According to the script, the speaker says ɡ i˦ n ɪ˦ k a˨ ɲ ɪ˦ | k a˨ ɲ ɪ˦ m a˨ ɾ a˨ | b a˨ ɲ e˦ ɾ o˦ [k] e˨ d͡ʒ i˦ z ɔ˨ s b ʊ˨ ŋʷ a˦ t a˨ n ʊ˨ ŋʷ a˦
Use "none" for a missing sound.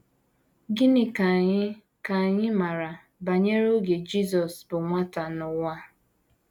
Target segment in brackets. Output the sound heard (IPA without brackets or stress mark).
ɡ